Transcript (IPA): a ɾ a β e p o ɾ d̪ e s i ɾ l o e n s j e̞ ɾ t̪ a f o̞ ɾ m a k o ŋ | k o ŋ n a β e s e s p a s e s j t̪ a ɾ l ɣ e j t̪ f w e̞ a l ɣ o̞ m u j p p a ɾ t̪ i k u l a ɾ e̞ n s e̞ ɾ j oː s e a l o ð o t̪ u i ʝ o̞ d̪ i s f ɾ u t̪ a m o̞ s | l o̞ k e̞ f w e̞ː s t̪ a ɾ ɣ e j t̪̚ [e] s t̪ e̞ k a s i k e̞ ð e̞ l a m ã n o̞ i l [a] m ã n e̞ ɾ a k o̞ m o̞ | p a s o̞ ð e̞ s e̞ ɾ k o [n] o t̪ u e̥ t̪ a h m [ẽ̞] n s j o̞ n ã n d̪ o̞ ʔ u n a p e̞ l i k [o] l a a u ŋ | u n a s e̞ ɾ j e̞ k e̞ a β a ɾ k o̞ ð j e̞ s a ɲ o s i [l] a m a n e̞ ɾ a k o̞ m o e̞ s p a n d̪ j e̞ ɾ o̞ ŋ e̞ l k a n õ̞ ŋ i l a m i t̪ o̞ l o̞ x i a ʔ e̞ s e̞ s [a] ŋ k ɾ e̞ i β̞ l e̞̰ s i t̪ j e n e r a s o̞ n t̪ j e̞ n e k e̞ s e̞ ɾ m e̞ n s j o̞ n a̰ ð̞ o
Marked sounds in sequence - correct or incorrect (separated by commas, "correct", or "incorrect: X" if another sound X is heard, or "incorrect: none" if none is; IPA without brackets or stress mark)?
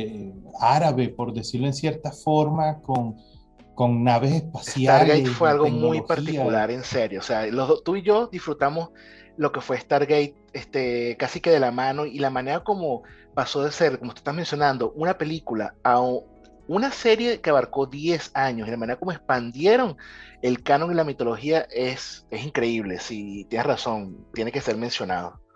correct, correct, incorrect: m, incorrect: e̞, incorrect: u, correct, incorrect: i